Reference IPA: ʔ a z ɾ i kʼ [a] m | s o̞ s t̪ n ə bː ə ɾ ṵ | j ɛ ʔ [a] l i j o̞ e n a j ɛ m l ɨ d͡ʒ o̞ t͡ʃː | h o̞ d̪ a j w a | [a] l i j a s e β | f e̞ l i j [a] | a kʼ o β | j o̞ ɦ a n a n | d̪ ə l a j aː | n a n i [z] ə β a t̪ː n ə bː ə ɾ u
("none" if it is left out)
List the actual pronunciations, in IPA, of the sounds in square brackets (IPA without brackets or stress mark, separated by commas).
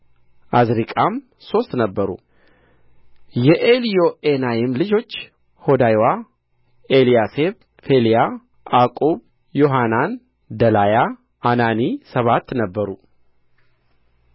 a, e, e, a, s